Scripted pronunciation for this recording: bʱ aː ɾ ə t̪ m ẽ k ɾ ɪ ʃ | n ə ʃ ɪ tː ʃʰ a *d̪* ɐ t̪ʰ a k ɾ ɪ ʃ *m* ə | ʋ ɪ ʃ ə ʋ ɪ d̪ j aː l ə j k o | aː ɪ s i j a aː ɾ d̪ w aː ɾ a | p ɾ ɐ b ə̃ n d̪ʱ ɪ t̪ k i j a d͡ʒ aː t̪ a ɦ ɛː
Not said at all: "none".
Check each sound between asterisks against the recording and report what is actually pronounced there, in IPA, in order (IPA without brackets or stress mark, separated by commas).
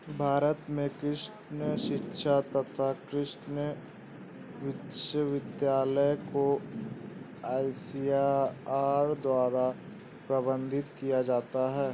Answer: t̪, n